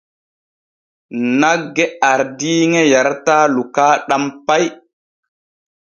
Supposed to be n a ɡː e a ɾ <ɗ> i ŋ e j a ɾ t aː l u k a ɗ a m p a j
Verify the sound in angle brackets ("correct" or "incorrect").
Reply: incorrect